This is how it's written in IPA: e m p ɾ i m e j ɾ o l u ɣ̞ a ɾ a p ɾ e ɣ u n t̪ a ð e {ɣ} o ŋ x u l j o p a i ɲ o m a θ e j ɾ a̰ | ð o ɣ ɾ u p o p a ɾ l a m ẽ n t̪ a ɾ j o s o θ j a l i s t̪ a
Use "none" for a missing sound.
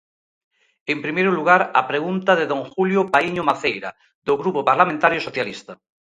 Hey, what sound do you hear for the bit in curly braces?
ð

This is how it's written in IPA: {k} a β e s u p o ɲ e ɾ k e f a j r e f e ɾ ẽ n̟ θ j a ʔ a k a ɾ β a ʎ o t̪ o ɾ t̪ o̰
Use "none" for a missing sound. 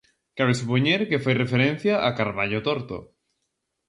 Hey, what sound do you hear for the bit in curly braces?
k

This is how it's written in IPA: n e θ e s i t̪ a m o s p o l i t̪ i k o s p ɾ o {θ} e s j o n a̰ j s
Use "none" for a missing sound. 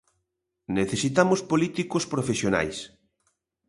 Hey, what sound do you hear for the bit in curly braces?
f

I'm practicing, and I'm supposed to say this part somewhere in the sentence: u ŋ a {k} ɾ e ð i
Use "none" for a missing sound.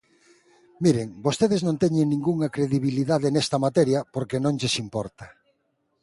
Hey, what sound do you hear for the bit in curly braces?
k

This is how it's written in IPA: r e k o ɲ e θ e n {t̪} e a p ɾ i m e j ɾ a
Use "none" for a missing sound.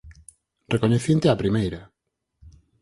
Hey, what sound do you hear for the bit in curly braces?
t̪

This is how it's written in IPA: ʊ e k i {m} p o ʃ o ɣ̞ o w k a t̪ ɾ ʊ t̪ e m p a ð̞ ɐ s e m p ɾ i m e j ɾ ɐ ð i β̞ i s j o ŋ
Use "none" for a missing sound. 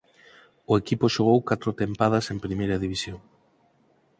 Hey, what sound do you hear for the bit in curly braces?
none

